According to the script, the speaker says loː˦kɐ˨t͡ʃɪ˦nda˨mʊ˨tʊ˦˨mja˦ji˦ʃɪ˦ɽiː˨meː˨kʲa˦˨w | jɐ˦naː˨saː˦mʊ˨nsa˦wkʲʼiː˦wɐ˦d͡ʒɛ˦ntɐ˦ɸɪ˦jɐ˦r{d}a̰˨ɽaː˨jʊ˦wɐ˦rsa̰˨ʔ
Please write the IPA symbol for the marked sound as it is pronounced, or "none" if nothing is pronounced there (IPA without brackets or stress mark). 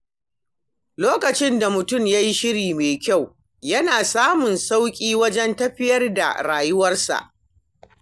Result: d